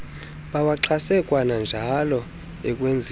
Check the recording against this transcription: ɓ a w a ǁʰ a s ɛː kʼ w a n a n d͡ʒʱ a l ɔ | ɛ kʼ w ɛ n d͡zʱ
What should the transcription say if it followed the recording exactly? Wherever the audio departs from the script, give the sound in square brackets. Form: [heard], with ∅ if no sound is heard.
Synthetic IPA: ɓ a w a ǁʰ a s [ɛ] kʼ w a n a n d͡ʒʱ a l ɔ | ɛ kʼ w [e] n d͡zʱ

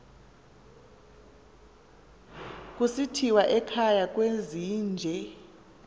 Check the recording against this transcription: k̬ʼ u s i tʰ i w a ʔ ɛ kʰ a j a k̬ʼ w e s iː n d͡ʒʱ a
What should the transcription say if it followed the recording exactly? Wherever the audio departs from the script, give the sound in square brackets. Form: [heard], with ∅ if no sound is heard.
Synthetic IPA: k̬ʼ u s i tʰ i w a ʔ ɛ kʰ a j a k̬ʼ w e [z] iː n d͡ʒʱ [ɛ]

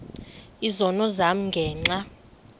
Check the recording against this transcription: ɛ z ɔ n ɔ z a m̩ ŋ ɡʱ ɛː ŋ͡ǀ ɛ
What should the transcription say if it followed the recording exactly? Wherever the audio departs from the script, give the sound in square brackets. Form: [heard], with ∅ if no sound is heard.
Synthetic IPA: [i] z ɔ n ɔ z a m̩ ŋ ɡʱ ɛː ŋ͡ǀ [a]

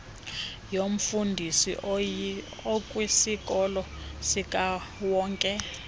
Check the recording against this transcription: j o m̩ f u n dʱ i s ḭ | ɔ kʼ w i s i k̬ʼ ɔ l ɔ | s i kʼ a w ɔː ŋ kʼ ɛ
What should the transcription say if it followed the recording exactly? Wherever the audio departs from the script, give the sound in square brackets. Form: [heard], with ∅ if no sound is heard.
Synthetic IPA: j o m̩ f u n dʱ i s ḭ | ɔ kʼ w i s i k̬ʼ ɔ l ɔ | s i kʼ a w ɔː ŋ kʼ ɛ

